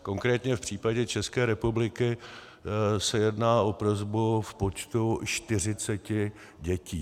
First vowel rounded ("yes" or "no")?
yes